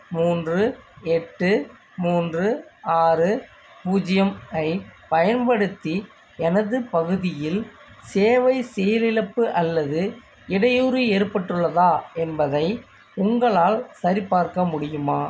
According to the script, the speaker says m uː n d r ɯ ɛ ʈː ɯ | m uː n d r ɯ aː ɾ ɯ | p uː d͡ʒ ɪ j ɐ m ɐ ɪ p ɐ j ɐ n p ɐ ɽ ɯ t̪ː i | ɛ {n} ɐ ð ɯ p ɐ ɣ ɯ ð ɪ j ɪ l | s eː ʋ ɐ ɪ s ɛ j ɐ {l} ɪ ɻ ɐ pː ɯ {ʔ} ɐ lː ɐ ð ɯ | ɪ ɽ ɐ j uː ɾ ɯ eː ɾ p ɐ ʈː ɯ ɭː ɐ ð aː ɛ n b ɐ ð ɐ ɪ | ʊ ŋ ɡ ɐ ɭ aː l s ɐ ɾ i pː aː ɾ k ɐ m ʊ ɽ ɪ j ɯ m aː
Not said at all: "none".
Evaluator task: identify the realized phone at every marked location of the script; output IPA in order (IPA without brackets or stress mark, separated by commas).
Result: n, l, ʔ